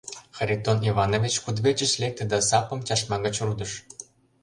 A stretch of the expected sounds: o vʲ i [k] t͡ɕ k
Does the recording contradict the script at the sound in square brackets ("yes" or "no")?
yes